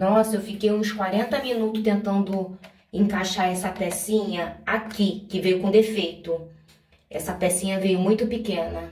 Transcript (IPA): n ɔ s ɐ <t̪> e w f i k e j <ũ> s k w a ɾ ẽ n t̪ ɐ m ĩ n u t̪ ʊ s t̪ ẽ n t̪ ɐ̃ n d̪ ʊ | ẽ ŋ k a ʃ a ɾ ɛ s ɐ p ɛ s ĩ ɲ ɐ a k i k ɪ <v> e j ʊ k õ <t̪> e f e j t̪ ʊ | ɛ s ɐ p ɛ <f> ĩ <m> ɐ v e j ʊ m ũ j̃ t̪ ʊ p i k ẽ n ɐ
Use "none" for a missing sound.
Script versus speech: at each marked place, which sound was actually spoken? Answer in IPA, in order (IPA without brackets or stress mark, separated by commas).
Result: none, ũ, v, d̪, s, ɲ